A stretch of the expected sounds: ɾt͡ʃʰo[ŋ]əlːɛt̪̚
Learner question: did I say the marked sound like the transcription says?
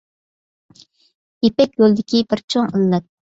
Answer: yes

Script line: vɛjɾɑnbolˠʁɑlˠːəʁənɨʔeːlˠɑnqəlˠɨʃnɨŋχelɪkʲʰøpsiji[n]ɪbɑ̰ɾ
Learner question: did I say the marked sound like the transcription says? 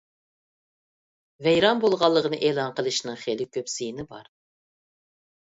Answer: yes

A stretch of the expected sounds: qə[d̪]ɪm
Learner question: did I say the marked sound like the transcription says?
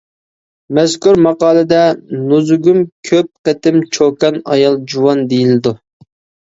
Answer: no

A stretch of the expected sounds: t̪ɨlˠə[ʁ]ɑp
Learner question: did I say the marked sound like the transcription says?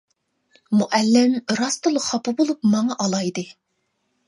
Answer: no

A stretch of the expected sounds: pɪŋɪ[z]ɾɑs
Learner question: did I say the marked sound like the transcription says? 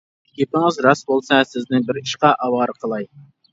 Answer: yes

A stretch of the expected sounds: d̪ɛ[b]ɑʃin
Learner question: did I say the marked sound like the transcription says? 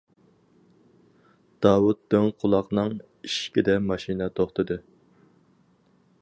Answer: no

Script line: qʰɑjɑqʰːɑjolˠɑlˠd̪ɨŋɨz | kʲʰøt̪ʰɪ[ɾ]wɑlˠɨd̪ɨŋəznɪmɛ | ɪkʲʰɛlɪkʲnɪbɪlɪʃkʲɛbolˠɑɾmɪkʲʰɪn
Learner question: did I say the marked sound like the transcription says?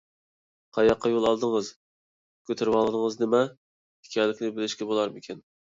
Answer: yes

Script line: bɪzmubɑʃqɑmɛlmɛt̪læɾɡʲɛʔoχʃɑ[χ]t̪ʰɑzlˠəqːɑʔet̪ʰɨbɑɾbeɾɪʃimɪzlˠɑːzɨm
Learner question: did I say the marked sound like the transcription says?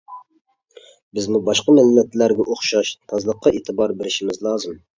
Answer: no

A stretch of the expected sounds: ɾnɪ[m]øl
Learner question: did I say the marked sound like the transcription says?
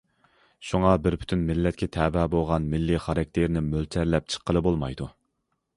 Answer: yes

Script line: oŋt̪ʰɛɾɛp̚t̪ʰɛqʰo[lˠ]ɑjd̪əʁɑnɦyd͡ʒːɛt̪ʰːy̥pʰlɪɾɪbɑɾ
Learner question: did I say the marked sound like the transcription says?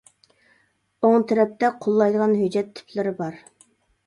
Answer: no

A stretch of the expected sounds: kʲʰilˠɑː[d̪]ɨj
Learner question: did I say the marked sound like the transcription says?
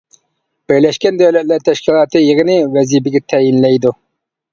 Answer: no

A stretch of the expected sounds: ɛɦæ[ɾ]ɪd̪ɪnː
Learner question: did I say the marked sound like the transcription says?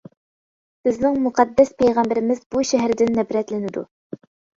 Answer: yes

